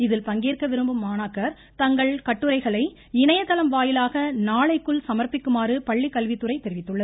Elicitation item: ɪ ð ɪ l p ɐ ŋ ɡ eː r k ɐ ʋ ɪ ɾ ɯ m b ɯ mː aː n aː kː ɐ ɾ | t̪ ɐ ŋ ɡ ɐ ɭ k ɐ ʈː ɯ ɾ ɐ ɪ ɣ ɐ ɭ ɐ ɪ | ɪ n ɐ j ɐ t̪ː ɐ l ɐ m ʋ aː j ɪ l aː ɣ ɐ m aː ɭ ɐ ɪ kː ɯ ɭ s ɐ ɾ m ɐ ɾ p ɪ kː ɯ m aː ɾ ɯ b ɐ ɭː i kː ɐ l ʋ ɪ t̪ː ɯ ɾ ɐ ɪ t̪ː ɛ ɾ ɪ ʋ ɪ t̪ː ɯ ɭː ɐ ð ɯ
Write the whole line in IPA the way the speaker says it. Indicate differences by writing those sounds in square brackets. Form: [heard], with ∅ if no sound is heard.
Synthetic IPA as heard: ɪ ð ɪ l p ɐ ŋ ɡ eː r k ɐ ʋ ɪ ɾ ɯ m b ɯ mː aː n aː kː ɐ ɾ | t̪ ɐ ŋ ɡ ɐ ɭ k ɐ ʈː ɯ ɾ ɐ ɪ ɣ ɐ ɭ ɐ ɪ | ɪ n ɐ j ɐ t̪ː ɐ l ɐ m ʋ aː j ɪ l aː ɣ ɐ [n] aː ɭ ɐ ɪ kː ɯ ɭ s ɐ [∅] m ɐ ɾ p ɪ kː ɯ m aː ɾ ɯ [p] ɐ ɭː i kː ɐ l ʋ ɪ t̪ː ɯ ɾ ɐ ɪ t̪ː ɛ ɾ ɪ ʋ ɪ t̪ː ɯ ɭː ɐ ð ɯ